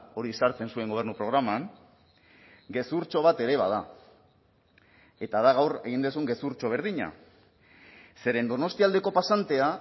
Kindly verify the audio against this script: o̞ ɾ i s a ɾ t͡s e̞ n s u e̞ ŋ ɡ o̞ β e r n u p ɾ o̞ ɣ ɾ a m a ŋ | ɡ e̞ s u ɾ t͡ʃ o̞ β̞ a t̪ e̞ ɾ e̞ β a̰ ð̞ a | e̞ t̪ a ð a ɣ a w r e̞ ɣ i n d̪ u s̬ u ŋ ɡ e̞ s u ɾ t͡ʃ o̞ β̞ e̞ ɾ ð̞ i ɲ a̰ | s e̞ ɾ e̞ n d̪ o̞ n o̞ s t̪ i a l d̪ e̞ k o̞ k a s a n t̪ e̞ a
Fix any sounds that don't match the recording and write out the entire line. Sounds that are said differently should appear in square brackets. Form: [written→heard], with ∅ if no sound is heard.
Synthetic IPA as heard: o̞ ɾ i s a ɾ t͡s e̞ n s u e̞ ŋ ɡ o̞ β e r n u p ɾ o̞ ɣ ɾ a m a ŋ | ɡ e̞ s u ɾ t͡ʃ o̞ β̞ a t̪ e̞ ɾ e̞ β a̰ ð̞ a | e̞ t̪ a ð a ɣ a w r e̞ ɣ i n d̪ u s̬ u ŋ ɡ e̞ s u ɾ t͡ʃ o̞ β̞ e̞ ɾ ð̞ i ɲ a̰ | s e̞ ɾ e̞ n d̪ o̞ n o̞ s t̪ i a l d̪ e̞ k o̞ [k→p] a s a n t̪ e̞ a